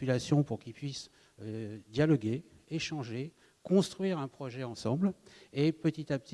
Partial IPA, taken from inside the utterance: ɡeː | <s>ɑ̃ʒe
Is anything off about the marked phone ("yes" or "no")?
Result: yes